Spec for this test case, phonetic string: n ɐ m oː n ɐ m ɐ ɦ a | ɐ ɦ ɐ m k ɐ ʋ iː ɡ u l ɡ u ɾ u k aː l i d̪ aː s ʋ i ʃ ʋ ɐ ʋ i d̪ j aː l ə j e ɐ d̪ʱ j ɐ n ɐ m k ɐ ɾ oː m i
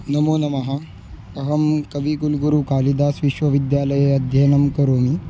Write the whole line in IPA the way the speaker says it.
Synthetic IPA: n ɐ m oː n ɐ m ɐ ɦ a | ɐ ɦ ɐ m k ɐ ʋ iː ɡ u l ɡ u ɾ u k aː l i d̪ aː s ʋ i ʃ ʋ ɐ ʋ i d̪ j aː l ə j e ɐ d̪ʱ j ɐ n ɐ m k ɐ ɾ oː m i